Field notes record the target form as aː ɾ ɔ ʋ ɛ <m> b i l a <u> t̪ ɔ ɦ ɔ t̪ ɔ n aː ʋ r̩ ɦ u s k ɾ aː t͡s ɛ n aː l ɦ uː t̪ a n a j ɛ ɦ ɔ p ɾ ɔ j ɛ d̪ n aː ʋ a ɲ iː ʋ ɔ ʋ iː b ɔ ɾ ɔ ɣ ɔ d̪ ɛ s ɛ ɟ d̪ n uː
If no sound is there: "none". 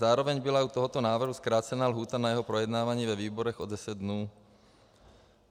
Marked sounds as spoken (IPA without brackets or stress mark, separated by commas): ɲ, u